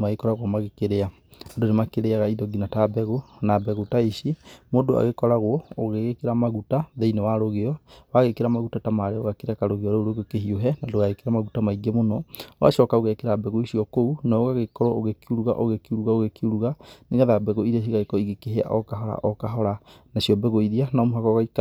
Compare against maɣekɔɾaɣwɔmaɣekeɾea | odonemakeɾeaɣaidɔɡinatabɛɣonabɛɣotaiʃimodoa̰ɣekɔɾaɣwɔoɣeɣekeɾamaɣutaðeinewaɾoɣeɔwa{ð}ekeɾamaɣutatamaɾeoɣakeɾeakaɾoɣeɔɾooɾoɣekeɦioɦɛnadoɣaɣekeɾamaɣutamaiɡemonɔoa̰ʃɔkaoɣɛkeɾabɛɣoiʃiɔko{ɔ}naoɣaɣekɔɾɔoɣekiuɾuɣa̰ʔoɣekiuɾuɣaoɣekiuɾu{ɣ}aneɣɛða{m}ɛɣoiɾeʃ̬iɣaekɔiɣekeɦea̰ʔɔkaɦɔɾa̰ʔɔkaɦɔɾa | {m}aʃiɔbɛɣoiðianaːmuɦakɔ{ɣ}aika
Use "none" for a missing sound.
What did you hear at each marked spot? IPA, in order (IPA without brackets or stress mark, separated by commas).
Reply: ɣ, u, ɣ, b, n, ɣ